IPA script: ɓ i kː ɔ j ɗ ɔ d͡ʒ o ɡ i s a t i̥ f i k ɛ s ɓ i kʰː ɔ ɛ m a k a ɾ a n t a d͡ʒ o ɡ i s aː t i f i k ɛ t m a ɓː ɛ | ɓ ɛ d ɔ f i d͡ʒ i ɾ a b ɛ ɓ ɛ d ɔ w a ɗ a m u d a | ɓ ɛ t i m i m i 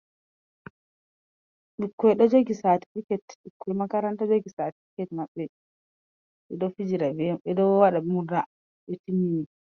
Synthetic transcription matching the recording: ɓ i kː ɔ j ɗ ɔ d͡ʒ o ɡ i s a t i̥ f i k ɛ t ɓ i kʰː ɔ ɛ m a k a ɾ a n t a d͡ʒ o ɡ i s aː t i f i k ɛ t m a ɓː ɛ | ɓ ɛ d ɔ f i d͡ʒ i ɾ a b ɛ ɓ ɛ d ɔ w a ɗ a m u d a | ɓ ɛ t i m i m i

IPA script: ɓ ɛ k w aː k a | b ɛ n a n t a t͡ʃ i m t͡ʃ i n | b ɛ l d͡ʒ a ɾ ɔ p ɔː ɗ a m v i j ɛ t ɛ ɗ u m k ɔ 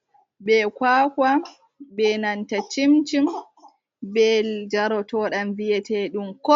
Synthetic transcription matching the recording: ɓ ɛ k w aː k a | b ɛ n a n t a t͡ʃ i m t͡ʃ i m | b ɛ l d͡ʒ a ɾ ɔ t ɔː ɗ a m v i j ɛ t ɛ ɗ u m k ɔ

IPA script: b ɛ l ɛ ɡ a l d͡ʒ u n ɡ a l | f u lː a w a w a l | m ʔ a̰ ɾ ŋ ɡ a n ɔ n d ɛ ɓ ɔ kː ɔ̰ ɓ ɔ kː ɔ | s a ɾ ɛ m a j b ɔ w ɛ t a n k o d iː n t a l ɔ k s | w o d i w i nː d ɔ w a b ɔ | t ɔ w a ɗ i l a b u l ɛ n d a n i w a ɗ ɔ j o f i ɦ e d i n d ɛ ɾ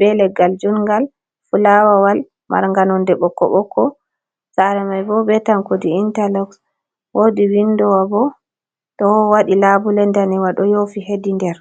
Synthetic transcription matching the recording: b ɛ l ɛ ɡ a l d͡ʒ u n ɡ a l | f u l a w a w a l | m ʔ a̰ ɾ ŋ ɡ a n ɔ n d ɛ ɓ ɔ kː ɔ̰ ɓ ɔ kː ɔ | s a ɾ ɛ m a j b ɔ b ɛ t a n k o d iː n t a l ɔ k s | w o d i w i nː d ɔ w a b ɔ | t ɔ w a ɗ i l a b u l ɛ n d a n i w a ɗ ɔ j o f i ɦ e d i n d ɛ ɾ

